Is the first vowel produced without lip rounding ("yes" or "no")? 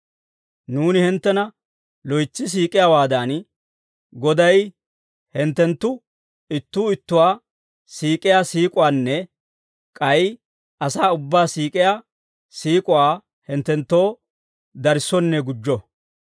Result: no